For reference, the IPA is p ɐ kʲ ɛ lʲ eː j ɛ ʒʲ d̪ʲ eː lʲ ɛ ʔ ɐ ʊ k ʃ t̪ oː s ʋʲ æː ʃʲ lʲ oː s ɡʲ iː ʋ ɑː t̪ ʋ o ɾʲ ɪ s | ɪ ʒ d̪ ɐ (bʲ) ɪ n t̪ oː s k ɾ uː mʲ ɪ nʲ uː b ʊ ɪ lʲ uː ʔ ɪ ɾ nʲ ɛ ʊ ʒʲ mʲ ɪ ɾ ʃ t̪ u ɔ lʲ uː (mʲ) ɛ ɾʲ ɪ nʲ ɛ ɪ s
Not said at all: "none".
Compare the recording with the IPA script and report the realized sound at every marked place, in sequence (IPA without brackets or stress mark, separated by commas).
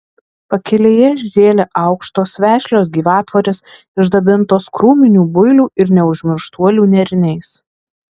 bʲ, nʲ